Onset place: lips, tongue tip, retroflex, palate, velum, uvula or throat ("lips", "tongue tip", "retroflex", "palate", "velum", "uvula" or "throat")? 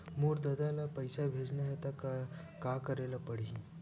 lips